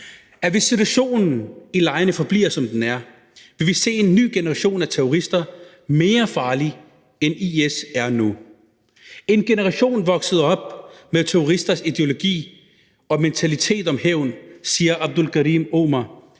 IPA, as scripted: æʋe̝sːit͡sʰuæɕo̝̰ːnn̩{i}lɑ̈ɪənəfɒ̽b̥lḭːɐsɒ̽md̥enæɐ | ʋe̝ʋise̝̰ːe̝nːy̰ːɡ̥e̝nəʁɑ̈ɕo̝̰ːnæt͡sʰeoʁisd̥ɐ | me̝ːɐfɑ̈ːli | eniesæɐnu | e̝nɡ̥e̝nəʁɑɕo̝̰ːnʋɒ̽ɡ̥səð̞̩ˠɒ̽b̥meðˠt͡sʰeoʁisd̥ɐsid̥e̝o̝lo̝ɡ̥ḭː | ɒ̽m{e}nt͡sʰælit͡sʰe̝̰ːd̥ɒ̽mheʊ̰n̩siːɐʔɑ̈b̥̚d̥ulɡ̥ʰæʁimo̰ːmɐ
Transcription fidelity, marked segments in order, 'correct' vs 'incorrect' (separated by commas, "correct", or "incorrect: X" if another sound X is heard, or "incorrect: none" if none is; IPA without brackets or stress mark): correct, correct